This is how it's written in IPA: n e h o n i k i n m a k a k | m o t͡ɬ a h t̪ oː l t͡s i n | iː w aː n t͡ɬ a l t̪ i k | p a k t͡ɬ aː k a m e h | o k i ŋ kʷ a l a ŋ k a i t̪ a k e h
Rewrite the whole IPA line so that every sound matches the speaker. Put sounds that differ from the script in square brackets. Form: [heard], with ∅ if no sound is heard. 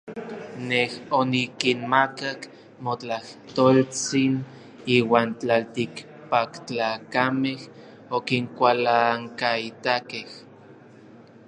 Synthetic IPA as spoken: n e h o n i k i n m a k a k | m o t͡ɬ a h t̪ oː l t͡s i n | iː w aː n t͡ɬ a l t̪ i k | p a k t͡ɬ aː k a m e h | o k i ŋ kʷ a l a ŋ k a i t̪ a k e h

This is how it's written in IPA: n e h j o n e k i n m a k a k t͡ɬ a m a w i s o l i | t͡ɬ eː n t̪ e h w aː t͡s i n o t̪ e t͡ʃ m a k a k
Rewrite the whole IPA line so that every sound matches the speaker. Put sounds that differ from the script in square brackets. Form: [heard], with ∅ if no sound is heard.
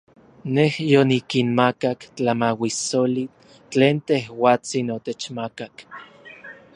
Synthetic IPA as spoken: n e h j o n [i] k i n m a k a k t͡ɬ a m a w i s o l i | t͡ɬ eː n t̪ e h w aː t͡s i n o t̪ e t͡ʃ m a k a k

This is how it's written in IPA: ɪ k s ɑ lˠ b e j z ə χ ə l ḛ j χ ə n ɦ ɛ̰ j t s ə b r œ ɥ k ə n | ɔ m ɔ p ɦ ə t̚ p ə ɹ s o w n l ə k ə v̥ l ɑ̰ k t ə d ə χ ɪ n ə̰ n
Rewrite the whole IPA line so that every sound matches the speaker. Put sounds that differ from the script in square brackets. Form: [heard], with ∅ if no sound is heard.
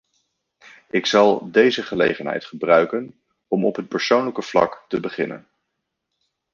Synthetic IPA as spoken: ɪ k s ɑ lˠ [d] e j z ə χ ə l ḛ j χ ə n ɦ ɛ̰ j t [χ] ə b r œ ɥ k ə n | ɔ m ɔ p ɦ ə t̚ p ə ɹ s o w n l ə k ə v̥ l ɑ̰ k t ə [b] ə χ ɪ n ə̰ n

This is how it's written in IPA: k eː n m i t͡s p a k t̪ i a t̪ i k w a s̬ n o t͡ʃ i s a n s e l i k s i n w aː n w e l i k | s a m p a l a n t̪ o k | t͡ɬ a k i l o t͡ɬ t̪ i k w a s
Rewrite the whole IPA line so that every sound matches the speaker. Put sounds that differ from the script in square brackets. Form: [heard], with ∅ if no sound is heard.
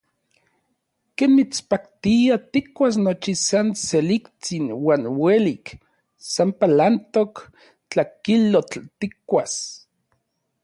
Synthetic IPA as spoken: k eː n m i t͡s p a k t̪ i a t̪ i k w a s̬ n o t͡ʃ i s a n s e l i k [t͡s] i n w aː n w e l i k | s a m p a l a n t̪ o k | t͡ɬ a k i l o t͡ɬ t̪ i k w a s

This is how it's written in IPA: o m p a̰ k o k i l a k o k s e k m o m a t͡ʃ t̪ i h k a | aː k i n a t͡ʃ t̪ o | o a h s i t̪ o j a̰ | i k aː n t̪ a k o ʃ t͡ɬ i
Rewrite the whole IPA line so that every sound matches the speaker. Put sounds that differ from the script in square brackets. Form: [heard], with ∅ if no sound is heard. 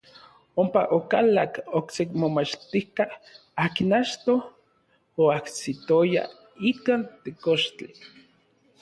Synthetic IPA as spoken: o m p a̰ [ʔ] o k [a] l a k o k s e k m o m a t͡ʃ t̪ i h k a | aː k i n a t͡ʃ t̪ o | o a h s i t̪ o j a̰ | i k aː n t̪ [e] k o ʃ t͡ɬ i

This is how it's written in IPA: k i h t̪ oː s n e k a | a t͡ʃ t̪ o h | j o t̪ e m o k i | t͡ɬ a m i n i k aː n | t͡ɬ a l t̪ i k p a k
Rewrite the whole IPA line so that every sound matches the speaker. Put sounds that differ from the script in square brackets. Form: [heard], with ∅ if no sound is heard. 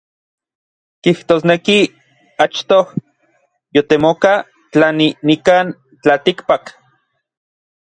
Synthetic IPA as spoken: k i h t̪ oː s n e k [i] | a t͡ʃ t̪ o h | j o t̪ e m o k [a] | t͡ɬ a [n] i n i k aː n | t͡ɬ a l t̪ i k p a k

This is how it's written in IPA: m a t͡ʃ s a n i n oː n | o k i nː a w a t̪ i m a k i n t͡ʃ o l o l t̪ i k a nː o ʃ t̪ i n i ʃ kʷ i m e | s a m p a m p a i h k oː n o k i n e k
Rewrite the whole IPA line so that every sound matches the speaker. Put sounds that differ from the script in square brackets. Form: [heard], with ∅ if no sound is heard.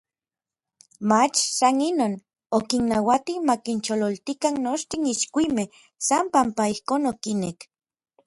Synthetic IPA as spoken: m a t͡ʃ s a n i n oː n | o k i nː a w a t̪ i m a k i n t͡ʃ o l o l t̪ i k a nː o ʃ t̪ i n i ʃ kʷ i m e | s a m p a m p a i h k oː n o k i n e k

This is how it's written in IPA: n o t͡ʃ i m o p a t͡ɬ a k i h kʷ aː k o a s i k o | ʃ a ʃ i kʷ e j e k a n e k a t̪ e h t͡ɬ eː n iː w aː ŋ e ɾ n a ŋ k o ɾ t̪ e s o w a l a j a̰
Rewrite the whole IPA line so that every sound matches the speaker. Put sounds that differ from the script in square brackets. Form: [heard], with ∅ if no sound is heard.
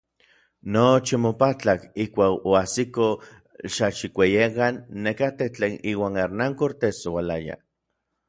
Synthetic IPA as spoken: n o t͡ʃ i m o p a t͡ɬ a k i h kʷ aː k o a s i k o | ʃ a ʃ i kʷ e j e k a [nː] e k a t̪ e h t͡ɬ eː n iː w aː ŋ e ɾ n a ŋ k o ɾ t̪ e s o w a l a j a̰

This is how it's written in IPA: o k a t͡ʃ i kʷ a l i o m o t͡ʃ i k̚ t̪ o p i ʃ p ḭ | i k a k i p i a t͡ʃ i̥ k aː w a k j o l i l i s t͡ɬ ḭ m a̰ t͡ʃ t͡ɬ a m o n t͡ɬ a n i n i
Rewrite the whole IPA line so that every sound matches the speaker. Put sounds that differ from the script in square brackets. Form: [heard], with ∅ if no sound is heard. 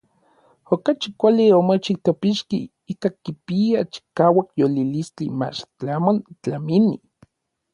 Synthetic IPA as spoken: o k a t͡ʃ i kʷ a l i o m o t͡ʃ i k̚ t̪ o p i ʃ [k] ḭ | i k a k i p i a t͡ʃ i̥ k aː w a k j o l i l i s t͡ɬ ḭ m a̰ t͡ʃ t͡ɬ a m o n t͡ɬ a [m] i n i

